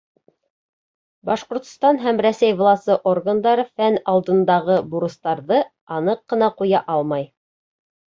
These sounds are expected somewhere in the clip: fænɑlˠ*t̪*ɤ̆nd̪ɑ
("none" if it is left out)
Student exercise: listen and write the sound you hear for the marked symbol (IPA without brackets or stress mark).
d̪